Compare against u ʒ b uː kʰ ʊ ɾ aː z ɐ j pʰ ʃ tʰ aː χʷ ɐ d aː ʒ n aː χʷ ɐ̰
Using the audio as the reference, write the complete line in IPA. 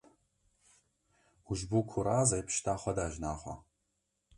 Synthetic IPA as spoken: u ʒ b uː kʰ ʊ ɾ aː z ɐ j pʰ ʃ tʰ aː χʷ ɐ d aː ʒ n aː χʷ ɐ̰